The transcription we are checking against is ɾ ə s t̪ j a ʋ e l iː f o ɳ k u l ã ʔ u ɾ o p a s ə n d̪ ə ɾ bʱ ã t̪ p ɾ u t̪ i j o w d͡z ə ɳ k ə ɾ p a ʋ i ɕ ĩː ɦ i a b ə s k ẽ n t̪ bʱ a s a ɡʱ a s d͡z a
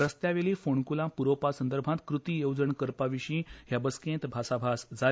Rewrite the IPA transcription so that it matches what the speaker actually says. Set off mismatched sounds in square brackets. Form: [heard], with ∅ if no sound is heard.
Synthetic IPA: ɾ ə s t̪ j a ʋ e l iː f o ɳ k u l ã [p] u ɾ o p a s ə n d̪ ə ɾ bʱ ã t̪ [k] ɾ u t̪ i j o w d͡z ə ɳ k ə ɾ p a ʋ i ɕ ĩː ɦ [j] a b ə s k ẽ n t̪ bʱ a s a [bʱ] a s d͡z a